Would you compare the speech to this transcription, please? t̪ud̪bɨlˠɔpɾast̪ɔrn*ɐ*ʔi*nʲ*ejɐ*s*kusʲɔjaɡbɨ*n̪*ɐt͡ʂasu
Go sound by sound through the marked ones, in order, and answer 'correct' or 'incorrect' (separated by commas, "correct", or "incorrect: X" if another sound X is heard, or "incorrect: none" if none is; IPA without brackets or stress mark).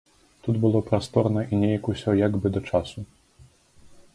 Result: correct, correct, incorrect: none, incorrect: d̪